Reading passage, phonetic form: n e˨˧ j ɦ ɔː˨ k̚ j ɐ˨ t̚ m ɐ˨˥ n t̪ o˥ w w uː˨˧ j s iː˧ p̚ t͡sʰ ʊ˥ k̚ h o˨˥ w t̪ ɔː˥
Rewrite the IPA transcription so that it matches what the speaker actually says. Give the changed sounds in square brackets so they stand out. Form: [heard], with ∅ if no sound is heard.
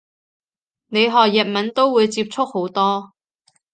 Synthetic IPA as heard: n e˨˧ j ɦ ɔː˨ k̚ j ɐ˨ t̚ m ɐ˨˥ n t̪ o˥ w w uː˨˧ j [t͡s] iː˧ p̚ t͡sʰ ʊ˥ k̚ h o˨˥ w t̪ ɔː˥